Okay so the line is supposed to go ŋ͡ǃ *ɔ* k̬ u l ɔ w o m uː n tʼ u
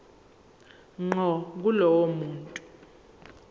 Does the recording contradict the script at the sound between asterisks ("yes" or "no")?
no